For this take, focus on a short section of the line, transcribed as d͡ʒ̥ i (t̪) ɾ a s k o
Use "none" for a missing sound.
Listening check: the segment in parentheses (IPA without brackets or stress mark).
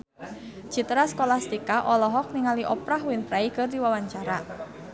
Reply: t̪